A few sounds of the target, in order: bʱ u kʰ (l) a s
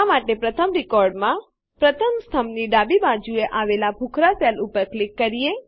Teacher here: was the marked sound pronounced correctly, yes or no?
no